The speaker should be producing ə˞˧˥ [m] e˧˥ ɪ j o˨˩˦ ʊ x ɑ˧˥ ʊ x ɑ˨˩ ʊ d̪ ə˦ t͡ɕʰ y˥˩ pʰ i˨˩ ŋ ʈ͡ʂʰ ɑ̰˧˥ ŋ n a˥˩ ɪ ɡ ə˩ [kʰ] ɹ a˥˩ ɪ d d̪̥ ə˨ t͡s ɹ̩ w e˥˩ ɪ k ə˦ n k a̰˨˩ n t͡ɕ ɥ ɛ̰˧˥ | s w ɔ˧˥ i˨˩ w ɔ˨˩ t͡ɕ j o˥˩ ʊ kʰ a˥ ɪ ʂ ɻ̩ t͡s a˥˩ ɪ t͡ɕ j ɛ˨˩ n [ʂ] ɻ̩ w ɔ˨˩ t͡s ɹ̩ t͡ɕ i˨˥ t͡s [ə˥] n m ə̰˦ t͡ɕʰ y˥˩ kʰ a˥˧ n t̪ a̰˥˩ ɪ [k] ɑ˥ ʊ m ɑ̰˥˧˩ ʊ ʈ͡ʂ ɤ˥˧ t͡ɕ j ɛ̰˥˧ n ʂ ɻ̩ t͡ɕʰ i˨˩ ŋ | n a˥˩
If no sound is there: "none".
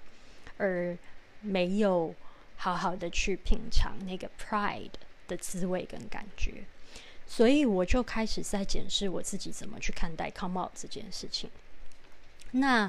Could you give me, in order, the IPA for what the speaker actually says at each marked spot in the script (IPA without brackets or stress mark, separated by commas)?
m, pʰ, ʂ, ə˨˩, kʰ